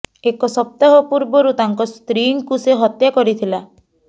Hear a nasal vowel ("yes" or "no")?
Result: no